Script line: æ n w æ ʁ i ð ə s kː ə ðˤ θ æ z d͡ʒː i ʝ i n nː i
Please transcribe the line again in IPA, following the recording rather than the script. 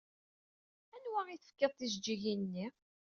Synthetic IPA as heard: æ n w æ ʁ i θ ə f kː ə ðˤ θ i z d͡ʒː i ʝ i n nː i